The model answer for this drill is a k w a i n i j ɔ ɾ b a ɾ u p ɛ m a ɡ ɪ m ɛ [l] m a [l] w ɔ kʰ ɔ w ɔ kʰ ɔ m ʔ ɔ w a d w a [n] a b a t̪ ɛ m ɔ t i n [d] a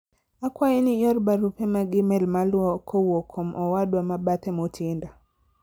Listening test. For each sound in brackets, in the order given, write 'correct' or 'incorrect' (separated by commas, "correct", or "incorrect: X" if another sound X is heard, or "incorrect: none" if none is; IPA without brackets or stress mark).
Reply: correct, correct, incorrect: m, correct